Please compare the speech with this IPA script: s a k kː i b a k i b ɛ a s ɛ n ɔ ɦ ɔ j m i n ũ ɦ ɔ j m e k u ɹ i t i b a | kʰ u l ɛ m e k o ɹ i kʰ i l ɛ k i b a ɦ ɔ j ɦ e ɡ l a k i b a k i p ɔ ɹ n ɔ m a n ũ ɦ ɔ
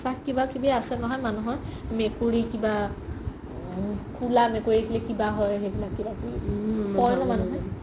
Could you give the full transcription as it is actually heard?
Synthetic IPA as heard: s a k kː i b a k i b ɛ a s ɛ n ɔ ɦ ɔ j m a n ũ ɦ ɔ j m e k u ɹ i k i b a | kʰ u l a m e k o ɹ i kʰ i l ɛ k i b a ɦ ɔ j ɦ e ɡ l a k i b a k i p ɔ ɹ n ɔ m a n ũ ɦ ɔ